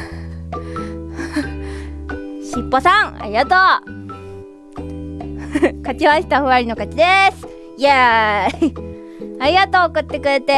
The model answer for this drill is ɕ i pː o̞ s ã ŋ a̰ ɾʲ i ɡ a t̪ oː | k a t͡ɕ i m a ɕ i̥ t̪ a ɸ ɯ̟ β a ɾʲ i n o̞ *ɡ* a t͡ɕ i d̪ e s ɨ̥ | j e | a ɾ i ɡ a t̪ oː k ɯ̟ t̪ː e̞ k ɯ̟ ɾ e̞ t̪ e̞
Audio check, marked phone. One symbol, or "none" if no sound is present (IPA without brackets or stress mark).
k